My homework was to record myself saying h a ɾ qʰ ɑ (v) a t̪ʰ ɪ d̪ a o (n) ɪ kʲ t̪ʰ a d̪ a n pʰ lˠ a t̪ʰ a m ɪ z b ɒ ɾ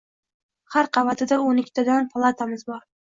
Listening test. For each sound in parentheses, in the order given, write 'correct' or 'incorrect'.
correct, correct

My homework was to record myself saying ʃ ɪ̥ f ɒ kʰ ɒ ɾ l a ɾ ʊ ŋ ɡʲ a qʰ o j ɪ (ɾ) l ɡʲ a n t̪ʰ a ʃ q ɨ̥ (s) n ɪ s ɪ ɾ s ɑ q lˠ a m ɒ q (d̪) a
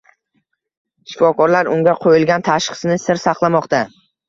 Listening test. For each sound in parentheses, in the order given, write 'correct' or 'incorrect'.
incorrect: none, correct, incorrect: t̪

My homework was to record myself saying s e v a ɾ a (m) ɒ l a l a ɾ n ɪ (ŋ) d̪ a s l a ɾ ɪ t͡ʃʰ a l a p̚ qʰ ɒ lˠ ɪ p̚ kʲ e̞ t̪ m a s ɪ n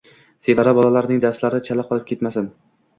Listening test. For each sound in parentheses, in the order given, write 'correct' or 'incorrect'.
incorrect: b, correct

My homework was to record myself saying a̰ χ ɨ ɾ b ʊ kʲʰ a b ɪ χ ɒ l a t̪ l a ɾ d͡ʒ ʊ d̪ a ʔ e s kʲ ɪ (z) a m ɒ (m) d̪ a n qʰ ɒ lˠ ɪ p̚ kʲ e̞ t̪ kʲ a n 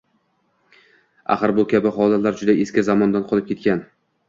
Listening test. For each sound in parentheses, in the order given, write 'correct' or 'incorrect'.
correct, incorrect: n

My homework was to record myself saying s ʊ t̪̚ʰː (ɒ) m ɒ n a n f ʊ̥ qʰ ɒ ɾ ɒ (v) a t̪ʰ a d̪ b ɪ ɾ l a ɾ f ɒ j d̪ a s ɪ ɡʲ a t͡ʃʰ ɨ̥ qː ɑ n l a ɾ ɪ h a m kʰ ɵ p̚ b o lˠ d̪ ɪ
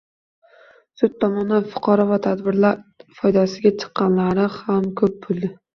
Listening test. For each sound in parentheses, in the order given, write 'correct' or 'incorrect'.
correct, correct

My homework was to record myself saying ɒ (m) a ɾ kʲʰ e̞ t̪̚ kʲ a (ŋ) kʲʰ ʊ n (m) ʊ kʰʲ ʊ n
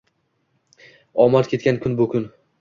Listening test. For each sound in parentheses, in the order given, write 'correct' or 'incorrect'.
correct, incorrect: n, incorrect: b

